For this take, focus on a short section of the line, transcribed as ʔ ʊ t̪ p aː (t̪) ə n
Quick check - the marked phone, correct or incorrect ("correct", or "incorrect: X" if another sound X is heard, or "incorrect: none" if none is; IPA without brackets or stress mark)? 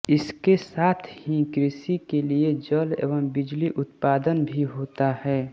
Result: incorrect: d̪